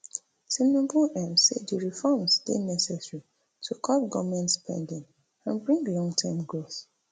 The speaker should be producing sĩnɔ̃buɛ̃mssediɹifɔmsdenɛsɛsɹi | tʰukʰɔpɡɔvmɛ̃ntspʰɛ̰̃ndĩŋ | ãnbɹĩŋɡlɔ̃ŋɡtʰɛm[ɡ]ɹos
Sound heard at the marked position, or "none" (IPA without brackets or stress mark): ɡ